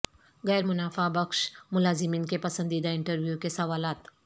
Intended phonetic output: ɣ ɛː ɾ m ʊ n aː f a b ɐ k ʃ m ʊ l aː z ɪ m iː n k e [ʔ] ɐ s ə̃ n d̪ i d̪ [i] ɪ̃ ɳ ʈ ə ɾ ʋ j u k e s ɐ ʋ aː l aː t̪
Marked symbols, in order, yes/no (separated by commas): no, no